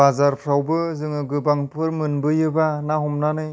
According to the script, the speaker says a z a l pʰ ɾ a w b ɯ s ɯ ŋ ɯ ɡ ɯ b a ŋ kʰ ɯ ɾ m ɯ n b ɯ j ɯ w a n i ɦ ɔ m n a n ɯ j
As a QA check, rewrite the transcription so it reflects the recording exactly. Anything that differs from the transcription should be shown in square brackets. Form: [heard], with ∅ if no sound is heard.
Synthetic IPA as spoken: a z a [ɾ] pʰ ɾ a w b ɯ [z] ɯ ŋ ɯ ɡ ɯ b a ŋ [pʰ] ɯ ɾ m ɯ n b ɯ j ɯ [b] a n [a] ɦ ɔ m n a n ɯ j